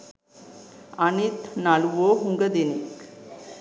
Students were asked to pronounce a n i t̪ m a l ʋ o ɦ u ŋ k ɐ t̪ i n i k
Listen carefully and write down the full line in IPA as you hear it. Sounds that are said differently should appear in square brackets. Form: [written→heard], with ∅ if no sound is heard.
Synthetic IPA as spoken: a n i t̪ [m→n] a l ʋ o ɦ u ŋ [k→ɡ] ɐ [t̪→d̪] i n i k